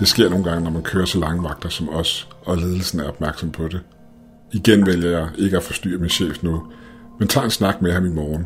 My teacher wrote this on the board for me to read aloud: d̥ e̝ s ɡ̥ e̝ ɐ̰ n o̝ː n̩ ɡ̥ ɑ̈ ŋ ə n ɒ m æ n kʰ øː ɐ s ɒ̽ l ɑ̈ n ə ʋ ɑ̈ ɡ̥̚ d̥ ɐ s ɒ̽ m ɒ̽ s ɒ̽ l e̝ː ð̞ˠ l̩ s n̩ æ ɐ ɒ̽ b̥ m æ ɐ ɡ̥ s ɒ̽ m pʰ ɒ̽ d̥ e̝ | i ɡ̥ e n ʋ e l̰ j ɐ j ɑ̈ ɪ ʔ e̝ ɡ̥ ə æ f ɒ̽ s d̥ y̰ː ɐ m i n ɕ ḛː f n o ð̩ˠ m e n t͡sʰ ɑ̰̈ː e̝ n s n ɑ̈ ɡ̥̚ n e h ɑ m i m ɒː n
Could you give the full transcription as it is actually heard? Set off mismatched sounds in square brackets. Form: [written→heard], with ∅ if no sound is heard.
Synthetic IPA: d̥ e̝ s ɡ̥ e̝ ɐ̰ n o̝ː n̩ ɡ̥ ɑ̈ ŋ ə n ɒ m æ n kʰ øː ɐ s ɒ̽ l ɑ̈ [n→ŋ] ə ʋ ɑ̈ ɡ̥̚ d̥ ɐ s ɒ̽ m ɒ̽ s ɒ̽ l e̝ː ð̞ˠ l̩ s n̩ æ ɐ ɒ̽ b̥ m æ ɐ ɡ̥ s ɒ̽ m pʰ ɒ̽ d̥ e̝ | i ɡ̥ e n ʋ e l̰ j ɐ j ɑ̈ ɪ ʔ e̝ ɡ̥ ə æ f ɒ̽ s d̥ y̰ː ɐ m i n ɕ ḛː f n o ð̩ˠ m e n t͡sʰ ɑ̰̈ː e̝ n s n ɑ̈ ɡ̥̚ [n→m] e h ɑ m i m ɒː n